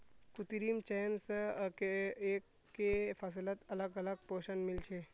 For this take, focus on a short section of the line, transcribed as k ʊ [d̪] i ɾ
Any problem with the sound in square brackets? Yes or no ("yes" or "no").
yes